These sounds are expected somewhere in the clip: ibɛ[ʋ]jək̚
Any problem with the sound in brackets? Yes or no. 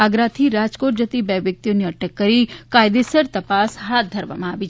no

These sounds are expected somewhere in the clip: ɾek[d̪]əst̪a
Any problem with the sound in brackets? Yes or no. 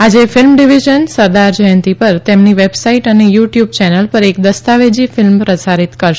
no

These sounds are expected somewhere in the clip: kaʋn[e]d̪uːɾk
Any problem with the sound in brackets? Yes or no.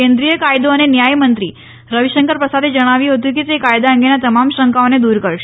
no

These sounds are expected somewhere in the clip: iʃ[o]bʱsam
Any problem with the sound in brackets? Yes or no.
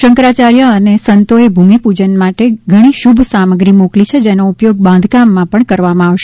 yes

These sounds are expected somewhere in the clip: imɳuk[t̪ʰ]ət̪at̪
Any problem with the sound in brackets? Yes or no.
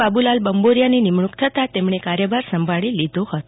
no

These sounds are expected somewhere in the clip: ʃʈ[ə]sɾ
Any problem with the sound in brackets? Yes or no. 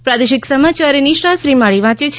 yes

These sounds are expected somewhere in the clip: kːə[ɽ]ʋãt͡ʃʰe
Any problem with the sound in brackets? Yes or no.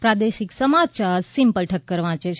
yes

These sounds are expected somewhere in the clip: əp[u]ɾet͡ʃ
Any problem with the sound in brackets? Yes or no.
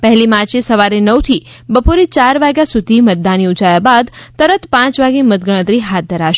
yes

